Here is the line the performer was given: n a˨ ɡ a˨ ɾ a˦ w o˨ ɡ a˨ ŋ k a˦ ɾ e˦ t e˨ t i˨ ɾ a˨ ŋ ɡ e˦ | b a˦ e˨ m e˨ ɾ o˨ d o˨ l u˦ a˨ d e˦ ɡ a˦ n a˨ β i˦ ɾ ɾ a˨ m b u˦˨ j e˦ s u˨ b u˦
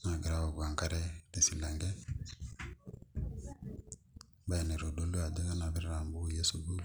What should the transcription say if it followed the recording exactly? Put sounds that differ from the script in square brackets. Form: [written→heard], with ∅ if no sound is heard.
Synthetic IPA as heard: n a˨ ɡ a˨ ɾ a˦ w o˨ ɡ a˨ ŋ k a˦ ɾ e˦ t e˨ [t→s] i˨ [ɾ→l] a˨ ŋ ɡ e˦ | b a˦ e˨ [m→n] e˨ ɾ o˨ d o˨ l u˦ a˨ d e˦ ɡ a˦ n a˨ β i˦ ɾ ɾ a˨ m b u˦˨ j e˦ s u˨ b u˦